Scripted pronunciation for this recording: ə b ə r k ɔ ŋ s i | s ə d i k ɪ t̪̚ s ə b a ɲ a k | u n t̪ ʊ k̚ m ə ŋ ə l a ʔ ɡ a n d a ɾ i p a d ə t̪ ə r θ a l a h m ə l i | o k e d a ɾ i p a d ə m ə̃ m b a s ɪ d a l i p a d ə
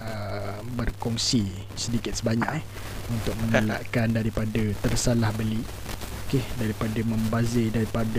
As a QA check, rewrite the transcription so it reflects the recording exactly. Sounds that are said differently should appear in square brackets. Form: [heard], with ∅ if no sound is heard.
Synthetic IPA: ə b ə r k ɔ ŋ s i | s ə d i k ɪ t̪̚ s ə b a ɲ a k | u n t̪ ʊ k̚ m ə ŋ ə l a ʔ [k] a n d a ɾ i p a d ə t̪ ə r [s] a l a h [b] ə l i | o k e d a ɾ i p a d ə m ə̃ m b a [z] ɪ d a [ɾ] i p a d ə